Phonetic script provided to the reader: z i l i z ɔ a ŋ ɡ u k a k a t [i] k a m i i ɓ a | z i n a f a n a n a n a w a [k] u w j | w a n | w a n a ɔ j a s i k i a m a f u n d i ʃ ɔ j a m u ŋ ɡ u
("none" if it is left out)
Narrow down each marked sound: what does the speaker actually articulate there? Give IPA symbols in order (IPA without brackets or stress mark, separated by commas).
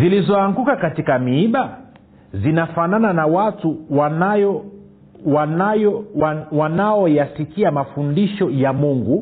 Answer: i, t